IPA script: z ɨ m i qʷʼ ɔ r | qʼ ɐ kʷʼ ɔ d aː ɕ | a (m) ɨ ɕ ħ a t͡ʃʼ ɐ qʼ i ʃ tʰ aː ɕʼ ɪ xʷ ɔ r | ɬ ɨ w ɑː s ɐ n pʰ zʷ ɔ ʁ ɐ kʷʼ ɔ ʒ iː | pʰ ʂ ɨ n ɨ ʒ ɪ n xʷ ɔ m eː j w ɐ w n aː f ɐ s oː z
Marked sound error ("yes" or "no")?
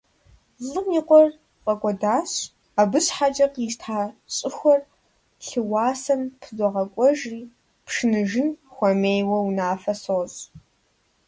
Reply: yes